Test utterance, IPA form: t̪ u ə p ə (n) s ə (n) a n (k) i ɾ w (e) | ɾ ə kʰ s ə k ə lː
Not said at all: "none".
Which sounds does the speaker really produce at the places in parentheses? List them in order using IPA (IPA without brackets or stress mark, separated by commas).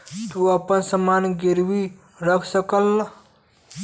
n, m, ɡ, i